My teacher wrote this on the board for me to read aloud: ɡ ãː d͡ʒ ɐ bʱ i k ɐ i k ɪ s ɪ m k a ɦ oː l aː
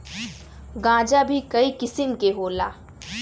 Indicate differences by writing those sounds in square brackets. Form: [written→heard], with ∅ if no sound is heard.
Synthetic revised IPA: ɡ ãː d͡ʒ [ɐ→a] bʱ i k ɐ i k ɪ s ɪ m k [a→e] ɦ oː l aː